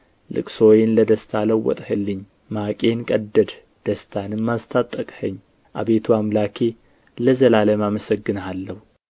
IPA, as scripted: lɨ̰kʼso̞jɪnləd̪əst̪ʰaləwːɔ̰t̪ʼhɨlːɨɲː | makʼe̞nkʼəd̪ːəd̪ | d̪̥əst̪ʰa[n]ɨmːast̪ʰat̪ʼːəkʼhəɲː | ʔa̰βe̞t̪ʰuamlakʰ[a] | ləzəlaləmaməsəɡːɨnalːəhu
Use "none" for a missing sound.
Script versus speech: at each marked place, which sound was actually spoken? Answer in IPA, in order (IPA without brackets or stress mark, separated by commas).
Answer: n, e